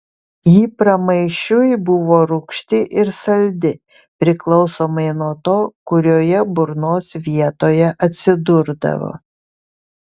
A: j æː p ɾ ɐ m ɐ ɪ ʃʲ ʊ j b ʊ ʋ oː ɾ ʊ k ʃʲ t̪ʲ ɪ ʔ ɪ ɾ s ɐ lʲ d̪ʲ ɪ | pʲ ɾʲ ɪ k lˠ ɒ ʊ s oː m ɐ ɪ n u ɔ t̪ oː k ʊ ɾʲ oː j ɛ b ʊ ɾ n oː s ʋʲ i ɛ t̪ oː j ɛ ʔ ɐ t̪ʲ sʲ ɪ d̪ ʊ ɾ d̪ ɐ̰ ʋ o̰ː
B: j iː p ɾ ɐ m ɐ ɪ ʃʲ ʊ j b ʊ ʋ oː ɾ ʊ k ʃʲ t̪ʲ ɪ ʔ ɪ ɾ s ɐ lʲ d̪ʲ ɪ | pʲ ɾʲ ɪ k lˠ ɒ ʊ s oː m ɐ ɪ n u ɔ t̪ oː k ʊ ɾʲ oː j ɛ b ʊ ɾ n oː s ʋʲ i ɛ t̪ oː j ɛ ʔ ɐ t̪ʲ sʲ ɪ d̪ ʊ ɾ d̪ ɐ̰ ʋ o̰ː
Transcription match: B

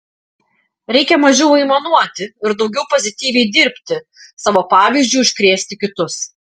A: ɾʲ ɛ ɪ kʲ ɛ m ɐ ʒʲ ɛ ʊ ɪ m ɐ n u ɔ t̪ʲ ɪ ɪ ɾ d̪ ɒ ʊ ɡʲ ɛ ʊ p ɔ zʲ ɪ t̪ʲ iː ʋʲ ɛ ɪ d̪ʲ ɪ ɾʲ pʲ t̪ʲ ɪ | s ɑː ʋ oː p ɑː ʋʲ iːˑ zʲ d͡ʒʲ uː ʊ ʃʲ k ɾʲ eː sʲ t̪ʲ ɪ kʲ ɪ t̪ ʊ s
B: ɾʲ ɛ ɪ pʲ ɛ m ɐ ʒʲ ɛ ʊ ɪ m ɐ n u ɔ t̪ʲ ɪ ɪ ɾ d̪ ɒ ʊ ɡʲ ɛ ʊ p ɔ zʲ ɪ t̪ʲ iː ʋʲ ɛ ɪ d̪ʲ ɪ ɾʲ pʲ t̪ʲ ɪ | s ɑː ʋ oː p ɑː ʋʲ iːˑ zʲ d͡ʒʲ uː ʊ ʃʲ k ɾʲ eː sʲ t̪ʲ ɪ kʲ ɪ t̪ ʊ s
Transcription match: A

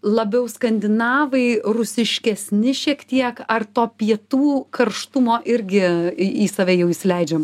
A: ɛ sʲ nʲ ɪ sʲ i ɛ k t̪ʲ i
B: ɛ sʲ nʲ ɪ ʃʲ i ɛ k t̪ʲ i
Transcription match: B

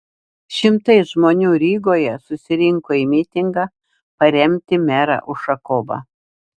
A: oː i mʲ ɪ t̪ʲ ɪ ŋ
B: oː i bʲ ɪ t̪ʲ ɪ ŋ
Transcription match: A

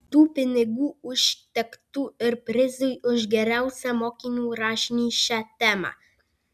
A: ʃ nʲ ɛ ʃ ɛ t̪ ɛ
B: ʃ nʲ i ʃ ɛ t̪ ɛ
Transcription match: B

